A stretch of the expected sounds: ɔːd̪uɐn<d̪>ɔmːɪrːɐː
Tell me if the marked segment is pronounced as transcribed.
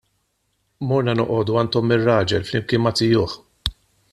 no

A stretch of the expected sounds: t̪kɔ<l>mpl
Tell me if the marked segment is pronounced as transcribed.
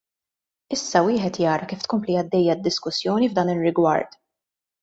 no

